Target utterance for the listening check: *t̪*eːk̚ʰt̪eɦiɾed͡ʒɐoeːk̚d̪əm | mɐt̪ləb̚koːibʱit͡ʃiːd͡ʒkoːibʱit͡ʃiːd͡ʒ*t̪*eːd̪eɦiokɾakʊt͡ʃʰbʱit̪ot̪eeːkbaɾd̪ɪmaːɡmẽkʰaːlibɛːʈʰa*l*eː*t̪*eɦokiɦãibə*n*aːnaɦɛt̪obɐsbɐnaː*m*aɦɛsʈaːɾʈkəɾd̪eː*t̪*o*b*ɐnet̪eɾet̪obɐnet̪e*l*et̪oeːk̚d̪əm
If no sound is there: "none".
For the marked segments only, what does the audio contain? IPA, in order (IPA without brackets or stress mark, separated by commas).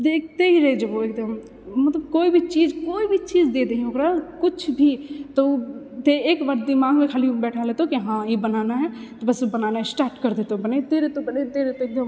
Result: d̪, d̪, l, t̪, n, n, t̪, b, ɾ